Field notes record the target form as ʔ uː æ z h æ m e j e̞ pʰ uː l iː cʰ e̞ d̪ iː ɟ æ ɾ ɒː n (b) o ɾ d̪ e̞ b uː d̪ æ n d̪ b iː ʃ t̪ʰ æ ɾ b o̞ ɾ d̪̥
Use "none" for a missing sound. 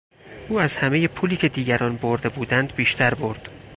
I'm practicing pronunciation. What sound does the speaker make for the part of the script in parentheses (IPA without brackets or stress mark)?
b